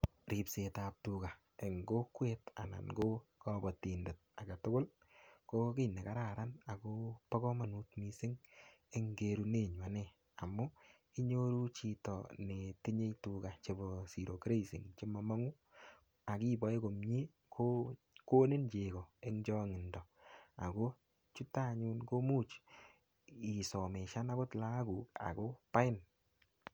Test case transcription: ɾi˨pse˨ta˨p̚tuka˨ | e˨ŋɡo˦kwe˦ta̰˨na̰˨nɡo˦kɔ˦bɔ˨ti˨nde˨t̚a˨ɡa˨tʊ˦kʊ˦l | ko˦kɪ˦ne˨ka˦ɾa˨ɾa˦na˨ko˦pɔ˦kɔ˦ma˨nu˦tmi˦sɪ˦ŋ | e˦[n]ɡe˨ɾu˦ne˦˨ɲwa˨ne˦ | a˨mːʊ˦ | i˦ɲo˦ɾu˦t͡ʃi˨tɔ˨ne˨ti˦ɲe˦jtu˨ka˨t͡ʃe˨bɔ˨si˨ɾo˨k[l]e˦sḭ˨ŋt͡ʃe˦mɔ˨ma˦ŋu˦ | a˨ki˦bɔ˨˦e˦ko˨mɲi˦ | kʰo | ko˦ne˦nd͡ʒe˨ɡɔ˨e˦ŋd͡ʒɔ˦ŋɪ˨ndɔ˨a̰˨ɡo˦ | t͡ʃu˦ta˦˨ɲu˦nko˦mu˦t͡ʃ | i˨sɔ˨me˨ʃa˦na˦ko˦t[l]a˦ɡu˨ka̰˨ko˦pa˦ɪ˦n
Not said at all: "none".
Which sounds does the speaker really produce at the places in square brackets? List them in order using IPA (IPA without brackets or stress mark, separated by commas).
ŋ, ɾ, l